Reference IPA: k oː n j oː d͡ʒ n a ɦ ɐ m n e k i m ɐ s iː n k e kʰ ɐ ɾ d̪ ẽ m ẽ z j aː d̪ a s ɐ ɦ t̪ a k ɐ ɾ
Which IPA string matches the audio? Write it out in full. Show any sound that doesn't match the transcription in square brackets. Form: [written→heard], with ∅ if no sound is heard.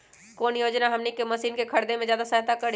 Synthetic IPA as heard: k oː n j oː d͡ʒ n a ɦ ɐ m n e k [i→e] m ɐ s iː n k e kʰ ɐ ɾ d̪ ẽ m ẽ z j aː d̪ a s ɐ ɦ t̪ a k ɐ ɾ